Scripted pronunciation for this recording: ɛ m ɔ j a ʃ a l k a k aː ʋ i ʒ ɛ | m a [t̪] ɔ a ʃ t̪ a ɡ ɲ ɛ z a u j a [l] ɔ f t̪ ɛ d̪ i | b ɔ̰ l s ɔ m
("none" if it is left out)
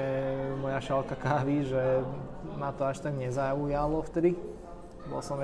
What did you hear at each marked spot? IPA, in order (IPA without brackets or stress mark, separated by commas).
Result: t̪, l